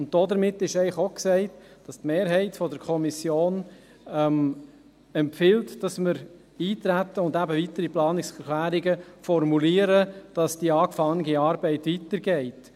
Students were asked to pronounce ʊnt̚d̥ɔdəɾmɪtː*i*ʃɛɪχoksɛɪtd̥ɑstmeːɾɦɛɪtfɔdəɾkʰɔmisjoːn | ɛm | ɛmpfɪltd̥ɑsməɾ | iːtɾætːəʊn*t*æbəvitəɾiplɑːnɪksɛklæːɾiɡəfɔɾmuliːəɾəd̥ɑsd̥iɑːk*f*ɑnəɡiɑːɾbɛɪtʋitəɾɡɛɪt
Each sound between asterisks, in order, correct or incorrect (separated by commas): incorrect, incorrect, correct